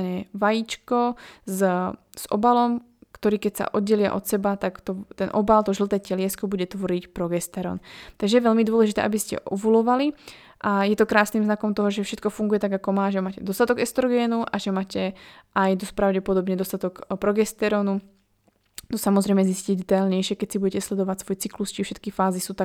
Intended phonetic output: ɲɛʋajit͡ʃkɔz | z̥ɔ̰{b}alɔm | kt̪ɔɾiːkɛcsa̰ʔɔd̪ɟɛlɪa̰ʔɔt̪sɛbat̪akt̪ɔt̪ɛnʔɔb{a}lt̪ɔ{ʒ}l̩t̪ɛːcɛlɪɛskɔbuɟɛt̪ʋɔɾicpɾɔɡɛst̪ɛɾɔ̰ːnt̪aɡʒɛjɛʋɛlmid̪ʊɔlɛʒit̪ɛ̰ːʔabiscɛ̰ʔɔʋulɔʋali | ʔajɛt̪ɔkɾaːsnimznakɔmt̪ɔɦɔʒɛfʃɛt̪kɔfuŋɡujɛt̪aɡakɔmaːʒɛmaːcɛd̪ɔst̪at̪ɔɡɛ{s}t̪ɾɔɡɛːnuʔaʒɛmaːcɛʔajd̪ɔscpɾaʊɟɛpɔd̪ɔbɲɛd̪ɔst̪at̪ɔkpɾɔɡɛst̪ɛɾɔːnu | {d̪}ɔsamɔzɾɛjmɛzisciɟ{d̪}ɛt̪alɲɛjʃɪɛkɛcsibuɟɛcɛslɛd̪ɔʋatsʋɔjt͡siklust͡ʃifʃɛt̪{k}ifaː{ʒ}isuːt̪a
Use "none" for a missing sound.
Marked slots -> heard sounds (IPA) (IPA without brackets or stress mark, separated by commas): b, a, ʒ, s, t̪, d̪, k, z